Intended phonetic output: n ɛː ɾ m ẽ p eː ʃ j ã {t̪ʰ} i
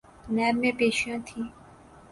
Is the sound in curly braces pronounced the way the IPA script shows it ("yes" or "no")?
yes